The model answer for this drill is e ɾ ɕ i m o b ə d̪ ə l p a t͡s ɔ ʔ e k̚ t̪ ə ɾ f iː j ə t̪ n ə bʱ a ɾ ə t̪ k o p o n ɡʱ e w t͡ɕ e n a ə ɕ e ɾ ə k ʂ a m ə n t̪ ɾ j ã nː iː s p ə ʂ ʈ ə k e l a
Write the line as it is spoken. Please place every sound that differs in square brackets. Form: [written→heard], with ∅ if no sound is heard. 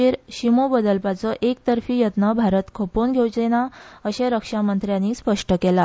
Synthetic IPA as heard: e ɾ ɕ i m o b ə d̪ ə l p a t͡s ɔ ʔ e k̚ t̪ ə ɾ f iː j ə t̪ n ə bʱ a ɾ ə t̪ [k→kʰ] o p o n ɡʱ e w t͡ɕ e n a ə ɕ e ɾ ə k ʂ a m ə n t̪ ɾ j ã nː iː s p ə ʂ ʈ ə k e l a

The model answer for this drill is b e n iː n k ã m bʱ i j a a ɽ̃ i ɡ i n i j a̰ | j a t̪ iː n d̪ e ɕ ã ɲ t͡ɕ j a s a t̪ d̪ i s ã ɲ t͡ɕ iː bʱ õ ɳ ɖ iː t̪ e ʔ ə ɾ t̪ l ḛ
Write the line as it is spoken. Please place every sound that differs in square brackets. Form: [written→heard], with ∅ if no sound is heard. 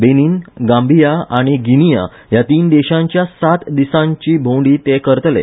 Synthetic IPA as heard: b e n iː n [k→ɡ] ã m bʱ i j a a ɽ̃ i ɡ i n i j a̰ | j a t̪ iː n d̪ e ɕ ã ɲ t͡ɕ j a s a t̪ d̪ i s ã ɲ t͡ɕ iː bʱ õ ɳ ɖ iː t̪ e [ʔ→k] ə ɾ t̪ l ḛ

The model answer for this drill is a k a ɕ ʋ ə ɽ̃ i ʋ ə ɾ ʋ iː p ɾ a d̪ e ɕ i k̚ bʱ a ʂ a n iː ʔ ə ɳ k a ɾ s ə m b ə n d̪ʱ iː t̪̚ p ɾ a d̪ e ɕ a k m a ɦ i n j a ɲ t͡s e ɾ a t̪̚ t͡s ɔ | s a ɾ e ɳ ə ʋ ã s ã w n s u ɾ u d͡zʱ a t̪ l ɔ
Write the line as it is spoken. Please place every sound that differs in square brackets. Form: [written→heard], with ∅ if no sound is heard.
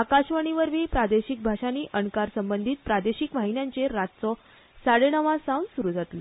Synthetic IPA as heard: a k a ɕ ʋ ə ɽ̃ i ʋ ə ɾ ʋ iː p ɾ a d̪ e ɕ i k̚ bʱ a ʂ a n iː ʔ ə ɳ k a ɾ s ə m b ə n d̪ʱ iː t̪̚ p ɾ a d̪ e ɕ [a→i] k m a ɦ i n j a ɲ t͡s e ɾ a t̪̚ t͡s ɔ | s a [ɾ→ɽ] e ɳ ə ʋ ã s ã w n s u ɾ u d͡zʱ a t̪ l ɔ

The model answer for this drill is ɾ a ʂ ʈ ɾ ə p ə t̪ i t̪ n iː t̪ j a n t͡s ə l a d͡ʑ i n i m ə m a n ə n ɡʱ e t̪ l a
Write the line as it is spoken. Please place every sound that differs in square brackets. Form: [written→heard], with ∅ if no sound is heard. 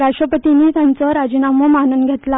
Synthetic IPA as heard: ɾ a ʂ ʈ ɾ ə p ə t̪ i [t̪→∅] n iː t̪ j a n t͡s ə [l→ɾ] a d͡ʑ i n [i→a] m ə m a n ə n ɡʱ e t̪ l a

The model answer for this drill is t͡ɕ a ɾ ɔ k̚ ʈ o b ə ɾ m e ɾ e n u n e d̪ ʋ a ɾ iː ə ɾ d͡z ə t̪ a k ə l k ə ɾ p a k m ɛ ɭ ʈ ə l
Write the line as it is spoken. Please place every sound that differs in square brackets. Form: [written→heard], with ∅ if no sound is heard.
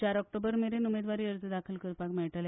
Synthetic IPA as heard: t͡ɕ a ɾ ɔ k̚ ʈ o b ə ɾ m e ɾ e n u [n→m] e d̪ ʋ a ɾ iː ə ɾ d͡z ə [t̪→d̪] a [k→kʰ] ə l k ə ɾ p a k m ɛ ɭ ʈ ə l

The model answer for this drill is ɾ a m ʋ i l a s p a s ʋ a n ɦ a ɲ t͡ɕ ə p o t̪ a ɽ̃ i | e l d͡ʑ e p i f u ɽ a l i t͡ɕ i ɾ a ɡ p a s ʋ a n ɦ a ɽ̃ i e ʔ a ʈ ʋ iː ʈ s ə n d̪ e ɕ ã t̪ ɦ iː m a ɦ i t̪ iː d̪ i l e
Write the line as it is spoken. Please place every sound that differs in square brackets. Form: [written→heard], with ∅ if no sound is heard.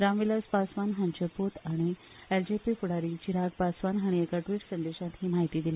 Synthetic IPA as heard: ɾ a m ʋ i l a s p a s ʋ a n ɦ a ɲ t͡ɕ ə p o t̪ a ɽ̃ i | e l d͡ʑ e p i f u ɽ a [l→ɾ] i t͡ɕ i ɾ a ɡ p a s ʋ a n ɦ a ɽ̃ i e [ʔ→k] a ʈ ʋ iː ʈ s ə n d̪ e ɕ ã t̪ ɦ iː m a ɦ i t̪ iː d̪ i l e

